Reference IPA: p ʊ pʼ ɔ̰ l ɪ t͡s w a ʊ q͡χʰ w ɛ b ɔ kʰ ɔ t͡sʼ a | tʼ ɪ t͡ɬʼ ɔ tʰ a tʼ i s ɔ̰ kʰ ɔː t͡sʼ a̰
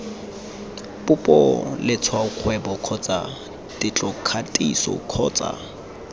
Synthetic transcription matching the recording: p ʊ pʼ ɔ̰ l ɪ t͡sʰ w a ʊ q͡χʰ w ɛ b ɔ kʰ ɔ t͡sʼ a | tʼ ɪ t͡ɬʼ ɔ kʰ a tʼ i s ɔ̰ kʰ ɔː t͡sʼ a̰